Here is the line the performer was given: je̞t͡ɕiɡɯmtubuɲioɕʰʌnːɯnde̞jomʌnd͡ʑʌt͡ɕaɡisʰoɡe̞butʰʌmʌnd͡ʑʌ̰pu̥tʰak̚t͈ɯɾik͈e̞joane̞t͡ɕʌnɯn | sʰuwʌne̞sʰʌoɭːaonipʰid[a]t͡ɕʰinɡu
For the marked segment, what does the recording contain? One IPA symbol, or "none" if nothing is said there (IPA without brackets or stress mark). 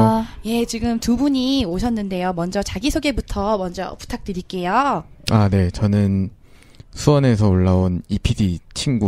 i